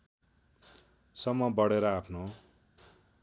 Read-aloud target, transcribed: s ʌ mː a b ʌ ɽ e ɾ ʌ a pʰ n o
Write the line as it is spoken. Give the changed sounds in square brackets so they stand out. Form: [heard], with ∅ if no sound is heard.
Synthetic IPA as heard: s ʌ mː [ʌ] b ʌ ɽ e ɾ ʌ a pʰ n o

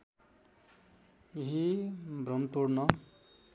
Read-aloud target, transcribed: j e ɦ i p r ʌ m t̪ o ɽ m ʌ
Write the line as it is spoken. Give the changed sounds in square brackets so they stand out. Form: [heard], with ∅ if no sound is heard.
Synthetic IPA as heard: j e ɦ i [b] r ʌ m t̪ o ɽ [n] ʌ

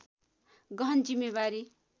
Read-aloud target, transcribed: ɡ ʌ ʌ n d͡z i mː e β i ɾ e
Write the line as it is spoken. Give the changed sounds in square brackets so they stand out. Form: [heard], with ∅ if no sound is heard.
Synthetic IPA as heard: ɡ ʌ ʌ n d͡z i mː e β [a] ɾ [i]

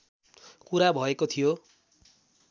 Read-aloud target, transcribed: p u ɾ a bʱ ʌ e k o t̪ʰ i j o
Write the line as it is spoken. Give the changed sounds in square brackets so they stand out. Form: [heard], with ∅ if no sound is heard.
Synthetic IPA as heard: [k] u ɾ a bʱ ʌ e k o t̪ʰ i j o

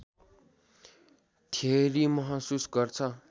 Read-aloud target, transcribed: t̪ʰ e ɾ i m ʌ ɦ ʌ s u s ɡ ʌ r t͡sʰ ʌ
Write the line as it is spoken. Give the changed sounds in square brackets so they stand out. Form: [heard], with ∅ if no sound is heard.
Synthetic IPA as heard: t̪ʰ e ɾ i m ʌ ɦ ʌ s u s ɡ ʌ r t͡sʰ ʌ

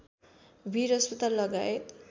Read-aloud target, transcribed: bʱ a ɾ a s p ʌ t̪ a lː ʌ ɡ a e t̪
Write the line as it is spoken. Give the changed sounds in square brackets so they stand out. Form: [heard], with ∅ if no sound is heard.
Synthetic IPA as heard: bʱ [i] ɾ [ʌ] s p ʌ t̪ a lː ʌ ɡ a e t̪

